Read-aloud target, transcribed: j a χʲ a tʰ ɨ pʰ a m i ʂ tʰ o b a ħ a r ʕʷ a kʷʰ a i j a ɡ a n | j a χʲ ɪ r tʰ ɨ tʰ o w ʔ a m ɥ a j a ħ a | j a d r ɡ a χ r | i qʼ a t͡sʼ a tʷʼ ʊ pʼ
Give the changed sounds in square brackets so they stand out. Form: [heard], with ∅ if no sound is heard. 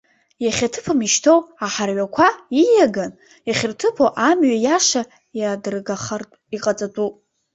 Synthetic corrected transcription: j a χʲ a tʰ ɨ pʰ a m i [ʃ] tʰ o [w] a ħ a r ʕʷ a kʷʰ a i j a ɡ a n | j a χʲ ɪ r tʰ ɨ [pʰ] o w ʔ a m ɥ a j a [ʂ] a | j a d r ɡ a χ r | i qʼ a t͡sʼ a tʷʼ [u] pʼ